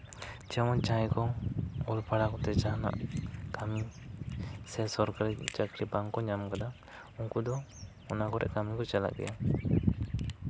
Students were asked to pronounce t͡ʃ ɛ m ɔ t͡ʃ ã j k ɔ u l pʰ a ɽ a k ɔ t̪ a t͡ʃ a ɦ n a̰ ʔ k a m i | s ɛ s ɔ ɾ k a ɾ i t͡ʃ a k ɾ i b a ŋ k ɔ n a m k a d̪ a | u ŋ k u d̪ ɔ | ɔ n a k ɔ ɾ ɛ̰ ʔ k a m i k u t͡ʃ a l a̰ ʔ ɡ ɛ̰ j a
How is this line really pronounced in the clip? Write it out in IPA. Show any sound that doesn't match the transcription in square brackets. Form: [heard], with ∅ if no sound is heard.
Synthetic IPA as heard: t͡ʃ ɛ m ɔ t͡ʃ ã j k ɔ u l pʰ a ɽ a k ɔ t̪ [ɛ] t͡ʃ a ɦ n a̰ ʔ k a m i | s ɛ s ɔ ɾ k a ɾ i t͡ʃ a k ɾ i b a ŋ k ɔ [ɲ] a m k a d̪ a | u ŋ k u d̪ ɔ | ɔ n a k ɔ ɾ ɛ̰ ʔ k a m i k [ɔ] t͡ʃ a l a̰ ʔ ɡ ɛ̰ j a